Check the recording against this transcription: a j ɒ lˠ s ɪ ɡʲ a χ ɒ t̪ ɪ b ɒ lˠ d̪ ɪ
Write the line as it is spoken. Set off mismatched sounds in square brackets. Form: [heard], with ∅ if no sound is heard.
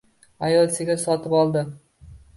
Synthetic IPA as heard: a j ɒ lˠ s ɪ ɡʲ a [s] ɒ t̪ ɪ [p] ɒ lˠ d̪ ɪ